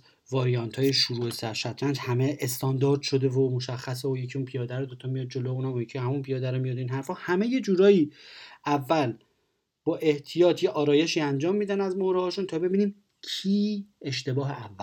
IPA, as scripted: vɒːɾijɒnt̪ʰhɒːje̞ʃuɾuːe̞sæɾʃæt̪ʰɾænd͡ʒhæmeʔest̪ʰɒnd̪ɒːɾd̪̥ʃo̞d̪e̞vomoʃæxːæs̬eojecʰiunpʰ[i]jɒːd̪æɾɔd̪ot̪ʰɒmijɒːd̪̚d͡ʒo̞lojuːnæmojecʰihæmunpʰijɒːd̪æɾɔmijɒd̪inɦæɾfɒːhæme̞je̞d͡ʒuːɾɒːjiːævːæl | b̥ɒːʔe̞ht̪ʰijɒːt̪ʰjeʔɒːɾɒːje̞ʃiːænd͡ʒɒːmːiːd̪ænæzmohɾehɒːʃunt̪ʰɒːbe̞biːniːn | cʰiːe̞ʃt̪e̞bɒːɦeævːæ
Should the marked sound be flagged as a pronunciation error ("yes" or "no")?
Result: no